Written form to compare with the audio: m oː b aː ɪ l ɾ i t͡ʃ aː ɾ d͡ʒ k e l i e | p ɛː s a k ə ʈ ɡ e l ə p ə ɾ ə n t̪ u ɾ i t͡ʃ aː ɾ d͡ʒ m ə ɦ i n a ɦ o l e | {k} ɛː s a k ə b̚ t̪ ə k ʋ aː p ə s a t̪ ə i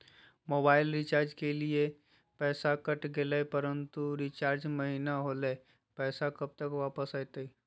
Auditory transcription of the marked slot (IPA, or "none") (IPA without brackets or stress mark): p